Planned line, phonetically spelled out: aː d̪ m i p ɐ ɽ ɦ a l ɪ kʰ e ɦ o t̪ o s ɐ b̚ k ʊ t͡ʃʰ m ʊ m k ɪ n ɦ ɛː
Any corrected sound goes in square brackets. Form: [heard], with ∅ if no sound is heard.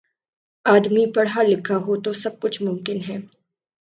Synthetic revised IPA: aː d̪ m i p ɐ ɽ ɦ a l ɪ kʰ [a] ɦ o t̪ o s ɐ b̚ k ʊ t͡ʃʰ m ʊ m k ɪ n ɦ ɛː